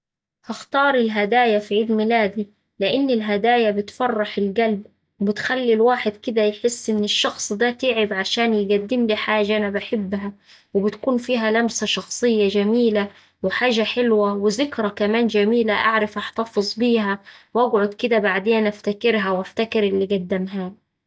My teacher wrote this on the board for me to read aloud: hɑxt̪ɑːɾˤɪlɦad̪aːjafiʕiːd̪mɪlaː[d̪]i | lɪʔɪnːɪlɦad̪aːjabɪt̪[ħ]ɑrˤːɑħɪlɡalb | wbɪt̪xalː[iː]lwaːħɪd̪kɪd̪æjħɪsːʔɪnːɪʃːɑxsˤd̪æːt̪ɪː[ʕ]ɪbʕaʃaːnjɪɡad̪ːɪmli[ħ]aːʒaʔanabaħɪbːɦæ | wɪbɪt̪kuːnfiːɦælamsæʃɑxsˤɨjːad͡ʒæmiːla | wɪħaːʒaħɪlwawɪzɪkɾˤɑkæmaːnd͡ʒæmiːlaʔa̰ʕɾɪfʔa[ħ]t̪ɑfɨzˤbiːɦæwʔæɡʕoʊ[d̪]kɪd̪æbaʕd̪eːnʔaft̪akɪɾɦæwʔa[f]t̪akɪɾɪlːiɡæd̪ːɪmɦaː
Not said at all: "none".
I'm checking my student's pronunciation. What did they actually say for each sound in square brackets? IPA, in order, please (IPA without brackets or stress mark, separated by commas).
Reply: d̪, f, i, ʕ, ħ, ħ, d̪, f